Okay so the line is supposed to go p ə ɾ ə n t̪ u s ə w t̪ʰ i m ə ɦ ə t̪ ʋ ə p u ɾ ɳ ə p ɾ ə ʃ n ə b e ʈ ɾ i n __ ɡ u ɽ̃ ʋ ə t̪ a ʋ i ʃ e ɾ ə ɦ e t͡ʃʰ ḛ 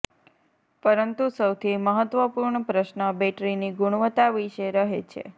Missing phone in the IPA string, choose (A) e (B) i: B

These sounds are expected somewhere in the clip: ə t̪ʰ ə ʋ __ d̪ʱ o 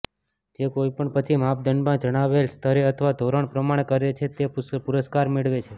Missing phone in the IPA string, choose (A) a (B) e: A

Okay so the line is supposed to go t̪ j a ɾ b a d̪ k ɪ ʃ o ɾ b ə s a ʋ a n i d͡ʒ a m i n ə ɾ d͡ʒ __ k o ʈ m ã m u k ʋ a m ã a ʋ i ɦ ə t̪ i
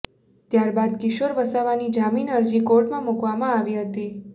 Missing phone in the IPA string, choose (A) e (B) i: B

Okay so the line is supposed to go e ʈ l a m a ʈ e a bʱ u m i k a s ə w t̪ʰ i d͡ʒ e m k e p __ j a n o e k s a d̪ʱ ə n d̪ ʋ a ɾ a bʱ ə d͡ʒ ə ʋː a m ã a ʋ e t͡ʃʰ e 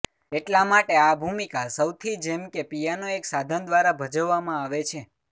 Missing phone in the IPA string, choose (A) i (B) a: A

